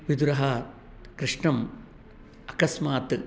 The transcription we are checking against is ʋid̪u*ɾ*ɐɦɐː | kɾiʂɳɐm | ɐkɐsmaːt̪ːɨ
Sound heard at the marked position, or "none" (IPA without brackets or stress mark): ɾ